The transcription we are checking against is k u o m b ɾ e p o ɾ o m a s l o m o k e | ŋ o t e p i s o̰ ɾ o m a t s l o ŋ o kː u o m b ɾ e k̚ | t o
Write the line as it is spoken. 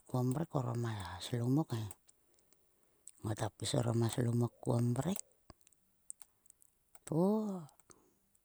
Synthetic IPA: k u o m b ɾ e k o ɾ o m a s l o m o k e | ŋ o t a p i s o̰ ɾ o m a s l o m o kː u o m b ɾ e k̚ | t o

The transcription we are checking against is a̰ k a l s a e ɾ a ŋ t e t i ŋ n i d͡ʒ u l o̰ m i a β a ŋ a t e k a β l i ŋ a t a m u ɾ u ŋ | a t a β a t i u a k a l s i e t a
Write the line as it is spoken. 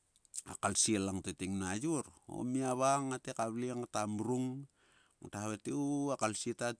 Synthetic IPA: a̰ k a l s i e l a ŋ t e t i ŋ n a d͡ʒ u ɾ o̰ m i a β a ŋ a t e k a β l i ŋ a t a m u ɾ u ŋ | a t a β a t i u a k a l s i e t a

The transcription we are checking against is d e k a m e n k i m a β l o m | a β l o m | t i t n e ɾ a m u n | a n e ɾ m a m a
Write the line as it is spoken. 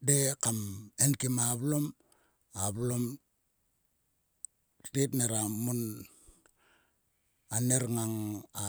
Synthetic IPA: d e k a m e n k i m a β l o m | a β l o m | t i t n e ɾ a m u n | a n e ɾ ŋ a ŋ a

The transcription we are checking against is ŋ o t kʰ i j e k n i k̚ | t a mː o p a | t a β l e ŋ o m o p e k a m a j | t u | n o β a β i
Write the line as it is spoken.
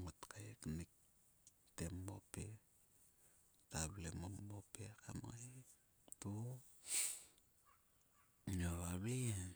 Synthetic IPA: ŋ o t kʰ a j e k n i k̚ | t e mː o p e | t a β l e m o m o p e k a m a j | t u | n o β a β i

